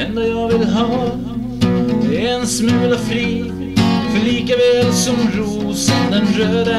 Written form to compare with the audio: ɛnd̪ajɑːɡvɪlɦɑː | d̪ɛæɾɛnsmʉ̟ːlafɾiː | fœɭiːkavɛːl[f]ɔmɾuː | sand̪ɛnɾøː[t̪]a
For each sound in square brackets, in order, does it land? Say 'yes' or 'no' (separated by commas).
no, no